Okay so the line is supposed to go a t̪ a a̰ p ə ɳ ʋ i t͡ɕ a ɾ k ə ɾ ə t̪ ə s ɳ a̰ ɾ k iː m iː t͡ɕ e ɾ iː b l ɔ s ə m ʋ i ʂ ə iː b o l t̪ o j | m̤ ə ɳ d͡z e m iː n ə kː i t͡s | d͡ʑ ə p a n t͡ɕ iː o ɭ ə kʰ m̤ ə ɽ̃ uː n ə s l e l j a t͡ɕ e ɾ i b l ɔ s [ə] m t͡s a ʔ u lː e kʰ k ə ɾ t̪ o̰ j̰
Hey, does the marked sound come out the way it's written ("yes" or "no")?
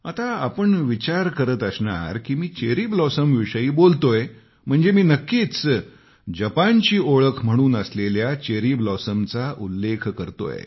yes